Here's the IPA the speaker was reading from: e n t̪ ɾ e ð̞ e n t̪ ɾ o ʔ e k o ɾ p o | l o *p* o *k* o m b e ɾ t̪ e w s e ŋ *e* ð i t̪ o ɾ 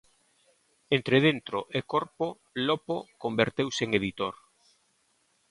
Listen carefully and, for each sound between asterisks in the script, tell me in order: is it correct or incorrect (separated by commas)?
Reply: correct, correct, correct